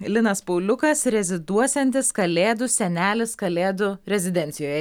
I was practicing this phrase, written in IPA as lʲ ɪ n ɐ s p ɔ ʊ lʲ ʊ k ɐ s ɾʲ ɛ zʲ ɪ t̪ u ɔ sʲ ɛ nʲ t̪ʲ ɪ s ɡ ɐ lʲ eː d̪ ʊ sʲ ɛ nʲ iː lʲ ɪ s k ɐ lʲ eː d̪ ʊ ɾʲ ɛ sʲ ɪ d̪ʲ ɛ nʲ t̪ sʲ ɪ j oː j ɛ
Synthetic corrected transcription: lʲ ɪ n ɐ s p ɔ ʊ lʲ ʊ k ɐ s ɾʲ ɛ zʲ ɪ d̪ u ɔ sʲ ɛ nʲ t̪ʲ ɪ s k ɐ lʲ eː d̪ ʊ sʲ ɛ nʲ æː lʲ ɪ s k ɐ lʲ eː d̪ ʊ ɾʲ ɛ zʲ ɪ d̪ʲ ɛ nʲ t̪ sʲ ɪ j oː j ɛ